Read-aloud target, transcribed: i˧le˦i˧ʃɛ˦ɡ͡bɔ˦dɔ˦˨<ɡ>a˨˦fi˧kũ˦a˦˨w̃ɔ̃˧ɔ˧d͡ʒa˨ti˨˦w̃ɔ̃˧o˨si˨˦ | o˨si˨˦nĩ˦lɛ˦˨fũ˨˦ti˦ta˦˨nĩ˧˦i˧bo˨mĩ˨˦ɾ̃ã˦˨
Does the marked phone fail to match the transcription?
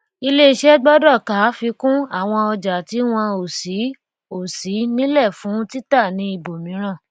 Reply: yes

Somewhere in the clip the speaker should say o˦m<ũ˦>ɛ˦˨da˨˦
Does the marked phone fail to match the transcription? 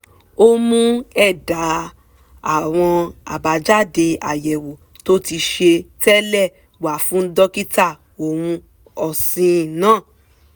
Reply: no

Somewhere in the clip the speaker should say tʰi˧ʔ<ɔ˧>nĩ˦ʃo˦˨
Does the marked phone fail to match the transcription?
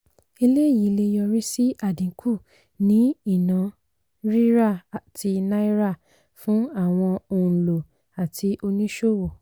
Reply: yes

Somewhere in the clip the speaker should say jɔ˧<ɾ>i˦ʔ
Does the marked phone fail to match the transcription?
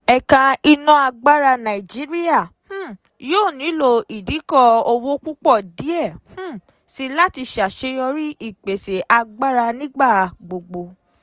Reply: no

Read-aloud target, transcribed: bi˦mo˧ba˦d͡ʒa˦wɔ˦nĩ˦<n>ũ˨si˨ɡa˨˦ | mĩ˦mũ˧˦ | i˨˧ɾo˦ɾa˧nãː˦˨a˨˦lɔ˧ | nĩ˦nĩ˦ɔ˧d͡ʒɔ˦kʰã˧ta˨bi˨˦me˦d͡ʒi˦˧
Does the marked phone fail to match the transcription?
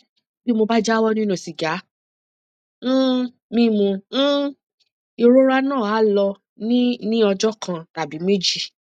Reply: no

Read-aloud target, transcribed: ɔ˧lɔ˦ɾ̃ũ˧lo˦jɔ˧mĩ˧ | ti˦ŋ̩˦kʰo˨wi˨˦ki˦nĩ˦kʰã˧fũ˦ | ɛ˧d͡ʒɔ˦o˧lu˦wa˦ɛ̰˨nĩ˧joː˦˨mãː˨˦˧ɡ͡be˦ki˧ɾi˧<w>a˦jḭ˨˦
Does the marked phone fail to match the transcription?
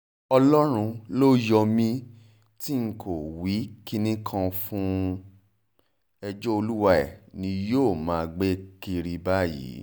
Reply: yes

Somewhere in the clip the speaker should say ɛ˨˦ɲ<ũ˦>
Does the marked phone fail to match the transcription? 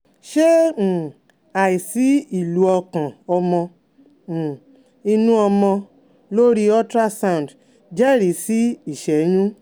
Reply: no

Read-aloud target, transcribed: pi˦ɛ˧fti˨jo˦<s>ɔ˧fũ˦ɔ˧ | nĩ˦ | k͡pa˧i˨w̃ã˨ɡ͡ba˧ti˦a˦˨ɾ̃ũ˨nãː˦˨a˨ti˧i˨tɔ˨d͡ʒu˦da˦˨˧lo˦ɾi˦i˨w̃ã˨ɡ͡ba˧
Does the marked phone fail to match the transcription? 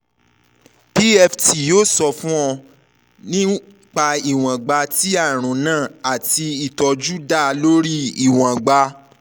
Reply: no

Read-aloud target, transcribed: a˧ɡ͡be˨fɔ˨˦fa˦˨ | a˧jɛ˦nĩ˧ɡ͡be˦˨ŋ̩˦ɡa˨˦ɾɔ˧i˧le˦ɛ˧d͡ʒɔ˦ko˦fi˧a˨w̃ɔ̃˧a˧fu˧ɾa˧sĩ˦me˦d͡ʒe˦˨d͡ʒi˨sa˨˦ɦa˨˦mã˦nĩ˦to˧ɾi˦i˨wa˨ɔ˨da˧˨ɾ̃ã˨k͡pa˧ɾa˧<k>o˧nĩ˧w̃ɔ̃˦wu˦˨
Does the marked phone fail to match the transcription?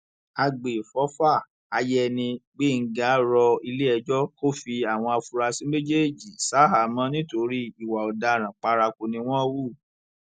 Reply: no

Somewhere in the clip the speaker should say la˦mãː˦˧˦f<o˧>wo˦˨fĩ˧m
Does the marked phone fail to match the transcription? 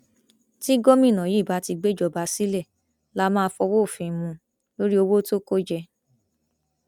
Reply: yes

